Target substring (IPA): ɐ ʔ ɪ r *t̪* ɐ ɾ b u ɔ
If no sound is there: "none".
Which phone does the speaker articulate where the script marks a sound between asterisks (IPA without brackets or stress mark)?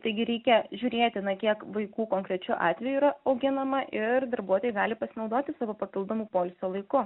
d̪